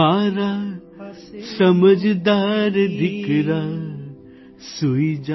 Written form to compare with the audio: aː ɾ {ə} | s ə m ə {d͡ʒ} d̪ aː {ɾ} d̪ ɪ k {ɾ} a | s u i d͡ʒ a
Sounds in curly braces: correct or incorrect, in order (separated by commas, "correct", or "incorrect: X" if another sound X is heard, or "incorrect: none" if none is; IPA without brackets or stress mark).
incorrect: a, correct, correct, correct